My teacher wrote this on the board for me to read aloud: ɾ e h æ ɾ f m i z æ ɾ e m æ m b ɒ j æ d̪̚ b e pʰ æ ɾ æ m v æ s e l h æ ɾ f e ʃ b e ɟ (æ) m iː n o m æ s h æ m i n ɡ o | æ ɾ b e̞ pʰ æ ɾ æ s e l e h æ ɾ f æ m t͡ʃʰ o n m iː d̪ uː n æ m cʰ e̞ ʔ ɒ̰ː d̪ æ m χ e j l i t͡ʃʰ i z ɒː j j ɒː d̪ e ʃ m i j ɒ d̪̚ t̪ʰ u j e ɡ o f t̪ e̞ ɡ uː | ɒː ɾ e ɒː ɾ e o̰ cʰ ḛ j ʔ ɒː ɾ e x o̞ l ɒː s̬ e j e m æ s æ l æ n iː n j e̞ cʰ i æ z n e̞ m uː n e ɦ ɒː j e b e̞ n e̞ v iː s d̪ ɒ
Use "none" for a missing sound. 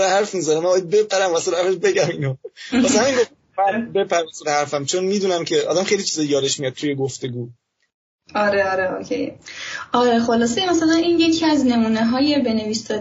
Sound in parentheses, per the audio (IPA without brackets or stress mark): æ